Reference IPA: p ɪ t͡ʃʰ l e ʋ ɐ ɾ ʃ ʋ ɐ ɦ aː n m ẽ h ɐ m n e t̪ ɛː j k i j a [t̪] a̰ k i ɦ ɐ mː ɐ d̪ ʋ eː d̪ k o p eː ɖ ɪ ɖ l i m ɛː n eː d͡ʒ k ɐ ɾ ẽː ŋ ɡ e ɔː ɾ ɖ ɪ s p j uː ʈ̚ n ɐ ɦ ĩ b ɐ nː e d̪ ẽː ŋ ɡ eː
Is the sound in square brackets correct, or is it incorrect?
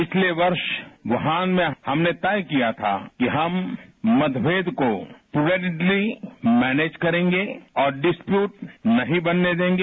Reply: incorrect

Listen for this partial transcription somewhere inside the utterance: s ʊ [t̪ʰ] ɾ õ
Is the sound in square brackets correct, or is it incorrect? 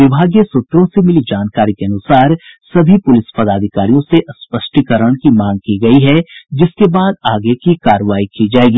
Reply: incorrect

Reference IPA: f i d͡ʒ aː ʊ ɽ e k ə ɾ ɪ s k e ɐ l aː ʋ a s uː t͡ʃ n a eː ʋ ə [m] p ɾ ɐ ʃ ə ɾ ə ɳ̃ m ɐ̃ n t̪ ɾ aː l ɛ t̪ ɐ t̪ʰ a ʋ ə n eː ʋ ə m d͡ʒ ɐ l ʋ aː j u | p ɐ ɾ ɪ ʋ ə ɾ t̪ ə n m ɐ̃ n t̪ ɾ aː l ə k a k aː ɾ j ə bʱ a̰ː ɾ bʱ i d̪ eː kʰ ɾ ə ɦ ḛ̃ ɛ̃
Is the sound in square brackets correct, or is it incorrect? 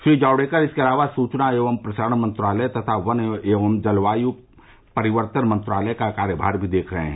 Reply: correct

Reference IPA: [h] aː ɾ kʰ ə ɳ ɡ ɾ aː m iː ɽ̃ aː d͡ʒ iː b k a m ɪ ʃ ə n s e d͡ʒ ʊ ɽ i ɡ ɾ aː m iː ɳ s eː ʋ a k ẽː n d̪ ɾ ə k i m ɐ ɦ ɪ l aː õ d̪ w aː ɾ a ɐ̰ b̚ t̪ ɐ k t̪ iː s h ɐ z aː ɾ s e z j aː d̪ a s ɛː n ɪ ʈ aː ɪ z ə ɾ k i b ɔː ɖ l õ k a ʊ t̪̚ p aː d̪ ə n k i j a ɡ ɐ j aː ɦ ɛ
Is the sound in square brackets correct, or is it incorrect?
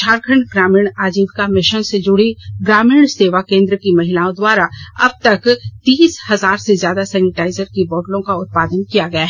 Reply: incorrect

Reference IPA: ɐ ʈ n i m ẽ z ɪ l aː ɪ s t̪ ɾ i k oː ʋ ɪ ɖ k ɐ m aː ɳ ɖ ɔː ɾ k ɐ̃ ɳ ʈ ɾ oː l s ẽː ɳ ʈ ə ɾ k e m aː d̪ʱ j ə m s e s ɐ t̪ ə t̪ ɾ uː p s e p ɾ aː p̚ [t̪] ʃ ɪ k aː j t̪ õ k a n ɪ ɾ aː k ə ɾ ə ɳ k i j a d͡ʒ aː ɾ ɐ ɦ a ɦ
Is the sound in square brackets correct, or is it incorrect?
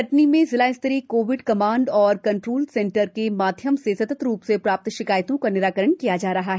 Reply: correct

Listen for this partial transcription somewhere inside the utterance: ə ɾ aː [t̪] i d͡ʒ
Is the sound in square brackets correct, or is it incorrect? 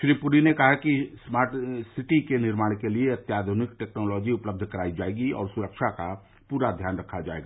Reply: incorrect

